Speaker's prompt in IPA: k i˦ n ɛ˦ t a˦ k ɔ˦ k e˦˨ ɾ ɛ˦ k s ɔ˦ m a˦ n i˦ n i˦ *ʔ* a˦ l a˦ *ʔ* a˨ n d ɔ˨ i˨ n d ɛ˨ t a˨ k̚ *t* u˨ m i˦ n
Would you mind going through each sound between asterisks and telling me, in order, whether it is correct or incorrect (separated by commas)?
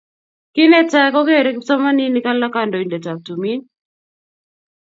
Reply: incorrect, incorrect, correct